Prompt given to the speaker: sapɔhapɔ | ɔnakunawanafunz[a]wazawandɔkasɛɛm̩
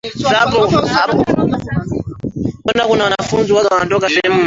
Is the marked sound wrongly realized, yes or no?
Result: yes